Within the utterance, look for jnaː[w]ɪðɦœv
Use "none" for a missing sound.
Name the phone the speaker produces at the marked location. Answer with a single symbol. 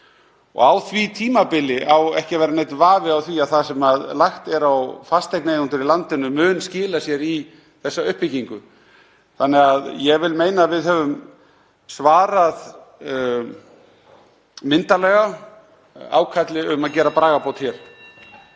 v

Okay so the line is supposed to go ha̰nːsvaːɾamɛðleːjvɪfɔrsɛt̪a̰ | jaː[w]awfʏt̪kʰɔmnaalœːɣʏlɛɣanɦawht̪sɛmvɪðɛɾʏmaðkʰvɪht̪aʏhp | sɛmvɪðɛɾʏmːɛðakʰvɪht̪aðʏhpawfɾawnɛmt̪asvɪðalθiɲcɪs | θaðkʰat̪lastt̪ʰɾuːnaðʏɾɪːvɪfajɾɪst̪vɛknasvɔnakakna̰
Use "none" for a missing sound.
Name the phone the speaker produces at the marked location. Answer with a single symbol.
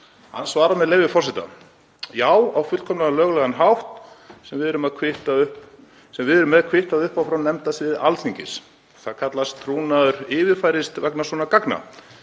w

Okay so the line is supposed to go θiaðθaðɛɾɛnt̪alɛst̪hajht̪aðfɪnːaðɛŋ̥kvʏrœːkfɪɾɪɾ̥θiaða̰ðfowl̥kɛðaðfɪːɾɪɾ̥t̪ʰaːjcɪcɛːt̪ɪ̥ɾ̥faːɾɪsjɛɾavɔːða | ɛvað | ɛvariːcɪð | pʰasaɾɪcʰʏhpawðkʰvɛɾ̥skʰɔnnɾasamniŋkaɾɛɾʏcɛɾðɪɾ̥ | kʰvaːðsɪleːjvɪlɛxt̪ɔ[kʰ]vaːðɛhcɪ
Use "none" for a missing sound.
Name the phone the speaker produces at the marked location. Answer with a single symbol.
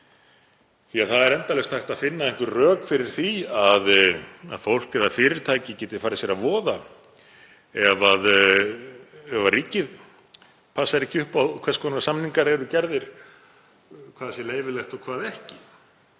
kʰ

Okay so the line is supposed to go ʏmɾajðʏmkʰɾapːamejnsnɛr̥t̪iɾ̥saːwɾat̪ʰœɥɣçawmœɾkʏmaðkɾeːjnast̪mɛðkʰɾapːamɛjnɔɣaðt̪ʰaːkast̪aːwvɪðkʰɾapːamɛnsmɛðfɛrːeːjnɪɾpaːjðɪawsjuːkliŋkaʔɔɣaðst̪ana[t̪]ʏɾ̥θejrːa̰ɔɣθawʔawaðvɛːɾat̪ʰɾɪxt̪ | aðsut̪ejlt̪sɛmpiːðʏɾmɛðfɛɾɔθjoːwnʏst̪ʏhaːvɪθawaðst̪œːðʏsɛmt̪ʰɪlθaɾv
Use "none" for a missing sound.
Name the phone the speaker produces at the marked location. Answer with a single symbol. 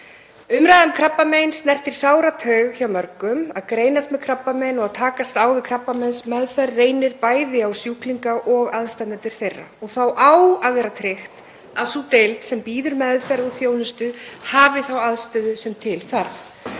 t̪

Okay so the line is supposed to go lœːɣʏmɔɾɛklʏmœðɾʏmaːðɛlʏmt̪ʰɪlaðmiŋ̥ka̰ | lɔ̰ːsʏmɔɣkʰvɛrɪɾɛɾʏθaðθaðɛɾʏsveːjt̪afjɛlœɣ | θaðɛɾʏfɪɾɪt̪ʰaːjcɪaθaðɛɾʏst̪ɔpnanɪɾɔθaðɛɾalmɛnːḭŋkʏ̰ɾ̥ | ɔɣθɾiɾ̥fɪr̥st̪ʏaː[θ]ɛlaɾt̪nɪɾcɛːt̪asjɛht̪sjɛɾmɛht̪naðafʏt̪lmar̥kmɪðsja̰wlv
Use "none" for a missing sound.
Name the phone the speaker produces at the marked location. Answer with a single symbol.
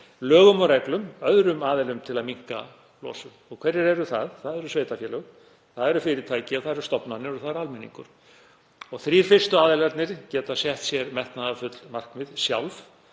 ð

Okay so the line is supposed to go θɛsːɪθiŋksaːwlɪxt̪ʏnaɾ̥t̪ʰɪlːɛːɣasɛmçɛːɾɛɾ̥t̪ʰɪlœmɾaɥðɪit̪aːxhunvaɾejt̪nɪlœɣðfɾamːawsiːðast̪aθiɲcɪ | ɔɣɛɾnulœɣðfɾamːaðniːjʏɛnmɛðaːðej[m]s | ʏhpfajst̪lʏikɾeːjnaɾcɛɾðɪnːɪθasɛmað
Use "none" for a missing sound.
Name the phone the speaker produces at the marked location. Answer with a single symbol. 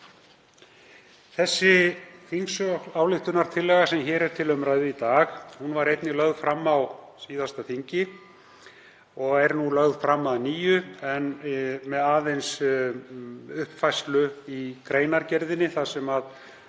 n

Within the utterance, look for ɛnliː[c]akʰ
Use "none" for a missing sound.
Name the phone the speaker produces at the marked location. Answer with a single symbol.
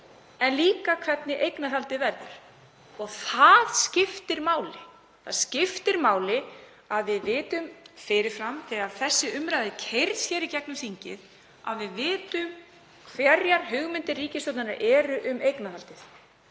k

